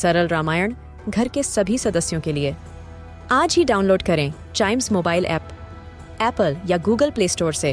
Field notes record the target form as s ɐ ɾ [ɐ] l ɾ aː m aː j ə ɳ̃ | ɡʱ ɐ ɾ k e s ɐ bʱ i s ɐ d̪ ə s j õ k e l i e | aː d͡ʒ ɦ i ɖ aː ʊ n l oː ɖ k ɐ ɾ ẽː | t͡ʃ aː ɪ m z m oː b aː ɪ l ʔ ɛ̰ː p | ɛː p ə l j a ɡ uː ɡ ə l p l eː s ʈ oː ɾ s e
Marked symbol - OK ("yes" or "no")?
no